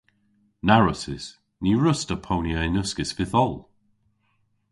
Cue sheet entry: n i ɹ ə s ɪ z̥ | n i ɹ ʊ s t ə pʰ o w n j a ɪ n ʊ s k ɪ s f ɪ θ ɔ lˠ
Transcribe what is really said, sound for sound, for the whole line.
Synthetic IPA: n a ɹ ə s ɪ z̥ | n i ɹ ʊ s t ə pʰ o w n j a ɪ n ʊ s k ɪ s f ɪ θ ɔ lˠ